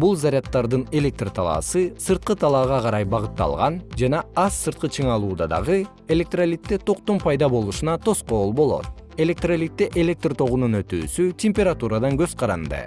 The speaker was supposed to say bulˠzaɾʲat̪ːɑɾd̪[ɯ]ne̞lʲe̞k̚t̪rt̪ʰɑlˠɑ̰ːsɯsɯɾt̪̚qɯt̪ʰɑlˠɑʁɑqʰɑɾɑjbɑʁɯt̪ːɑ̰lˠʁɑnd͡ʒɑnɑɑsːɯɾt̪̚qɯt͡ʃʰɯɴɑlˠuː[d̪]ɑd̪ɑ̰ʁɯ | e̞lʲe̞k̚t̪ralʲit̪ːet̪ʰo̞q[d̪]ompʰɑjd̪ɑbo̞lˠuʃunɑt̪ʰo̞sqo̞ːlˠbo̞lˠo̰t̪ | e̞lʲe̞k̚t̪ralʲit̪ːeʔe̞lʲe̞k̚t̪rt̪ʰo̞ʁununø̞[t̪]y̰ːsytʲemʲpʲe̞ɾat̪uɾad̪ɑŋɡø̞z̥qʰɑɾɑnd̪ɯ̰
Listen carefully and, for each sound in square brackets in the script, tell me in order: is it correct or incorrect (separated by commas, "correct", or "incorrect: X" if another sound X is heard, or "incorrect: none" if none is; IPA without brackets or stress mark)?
correct, correct, incorrect: t̪, correct